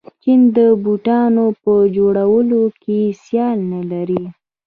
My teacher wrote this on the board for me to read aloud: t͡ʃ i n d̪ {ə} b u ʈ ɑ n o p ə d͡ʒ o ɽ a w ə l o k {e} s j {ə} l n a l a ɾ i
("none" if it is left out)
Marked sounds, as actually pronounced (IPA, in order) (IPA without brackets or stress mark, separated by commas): ə, e, ɑ